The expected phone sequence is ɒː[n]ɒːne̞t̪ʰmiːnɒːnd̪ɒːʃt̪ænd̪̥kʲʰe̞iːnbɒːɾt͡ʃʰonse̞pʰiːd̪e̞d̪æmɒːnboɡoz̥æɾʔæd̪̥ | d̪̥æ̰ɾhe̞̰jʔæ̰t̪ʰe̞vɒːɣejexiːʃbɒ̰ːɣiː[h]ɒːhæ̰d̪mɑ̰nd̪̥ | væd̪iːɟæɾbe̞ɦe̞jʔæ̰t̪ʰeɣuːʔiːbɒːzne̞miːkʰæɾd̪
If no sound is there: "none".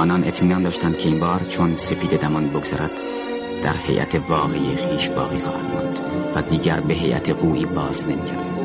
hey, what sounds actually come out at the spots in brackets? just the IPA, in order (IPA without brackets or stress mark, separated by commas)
n, x